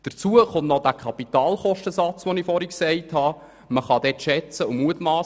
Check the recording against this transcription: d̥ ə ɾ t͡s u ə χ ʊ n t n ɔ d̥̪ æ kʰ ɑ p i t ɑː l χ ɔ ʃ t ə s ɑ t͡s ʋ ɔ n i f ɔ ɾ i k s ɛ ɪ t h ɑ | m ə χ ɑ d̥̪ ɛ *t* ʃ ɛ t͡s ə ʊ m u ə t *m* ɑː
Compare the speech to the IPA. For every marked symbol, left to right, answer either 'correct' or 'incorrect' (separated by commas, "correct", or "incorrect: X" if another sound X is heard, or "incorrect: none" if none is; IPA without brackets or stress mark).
correct, correct